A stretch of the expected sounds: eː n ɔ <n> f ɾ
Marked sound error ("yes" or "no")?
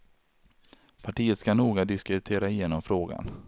yes